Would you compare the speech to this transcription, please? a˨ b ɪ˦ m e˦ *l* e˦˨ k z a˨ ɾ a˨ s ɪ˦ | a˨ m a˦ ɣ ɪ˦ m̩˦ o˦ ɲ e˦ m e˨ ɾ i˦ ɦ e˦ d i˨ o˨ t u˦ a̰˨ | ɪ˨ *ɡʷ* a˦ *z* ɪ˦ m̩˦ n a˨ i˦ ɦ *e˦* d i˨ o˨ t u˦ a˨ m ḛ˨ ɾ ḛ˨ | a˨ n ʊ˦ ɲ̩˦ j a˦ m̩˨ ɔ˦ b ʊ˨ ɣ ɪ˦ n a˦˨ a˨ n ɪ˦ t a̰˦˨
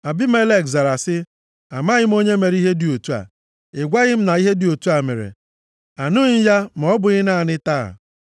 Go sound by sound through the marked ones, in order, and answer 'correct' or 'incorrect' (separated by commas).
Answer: correct, correct, incorrect, correct